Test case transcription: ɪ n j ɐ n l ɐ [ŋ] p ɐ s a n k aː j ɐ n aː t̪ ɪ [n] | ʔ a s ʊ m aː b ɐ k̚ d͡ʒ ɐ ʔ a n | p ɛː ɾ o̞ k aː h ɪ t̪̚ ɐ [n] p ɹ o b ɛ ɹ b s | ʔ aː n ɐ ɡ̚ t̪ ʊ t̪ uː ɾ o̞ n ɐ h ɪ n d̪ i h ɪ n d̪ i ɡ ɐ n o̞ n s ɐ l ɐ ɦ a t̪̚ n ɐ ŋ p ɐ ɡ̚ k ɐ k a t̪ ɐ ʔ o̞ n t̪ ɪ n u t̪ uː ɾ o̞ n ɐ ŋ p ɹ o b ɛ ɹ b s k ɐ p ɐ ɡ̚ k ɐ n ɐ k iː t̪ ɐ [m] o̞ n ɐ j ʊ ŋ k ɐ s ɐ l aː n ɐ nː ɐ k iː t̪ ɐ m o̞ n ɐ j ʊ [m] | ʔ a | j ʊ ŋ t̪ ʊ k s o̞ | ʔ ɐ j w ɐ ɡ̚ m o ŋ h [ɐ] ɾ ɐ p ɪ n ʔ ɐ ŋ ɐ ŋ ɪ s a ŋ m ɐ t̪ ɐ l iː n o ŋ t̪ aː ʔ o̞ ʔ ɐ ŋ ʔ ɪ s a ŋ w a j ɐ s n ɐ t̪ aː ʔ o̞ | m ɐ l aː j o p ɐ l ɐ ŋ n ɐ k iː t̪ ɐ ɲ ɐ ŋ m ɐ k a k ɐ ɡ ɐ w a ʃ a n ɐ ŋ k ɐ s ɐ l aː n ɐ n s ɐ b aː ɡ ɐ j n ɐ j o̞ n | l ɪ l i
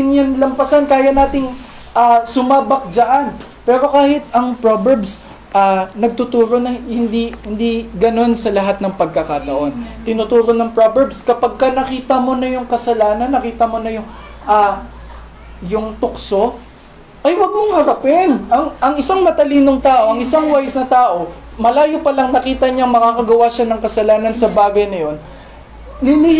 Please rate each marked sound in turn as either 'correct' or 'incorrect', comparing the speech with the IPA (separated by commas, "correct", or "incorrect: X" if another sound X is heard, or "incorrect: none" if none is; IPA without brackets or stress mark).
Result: incorrect: m, incorrect: ŋ, incorrect: ŋ, correct, incorrect: ŋ, correct